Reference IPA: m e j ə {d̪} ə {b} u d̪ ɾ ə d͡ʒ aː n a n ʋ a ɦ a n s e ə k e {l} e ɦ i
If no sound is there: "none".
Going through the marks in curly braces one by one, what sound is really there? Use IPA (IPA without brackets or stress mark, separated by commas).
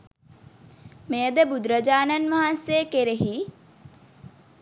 d̪, b, ɾ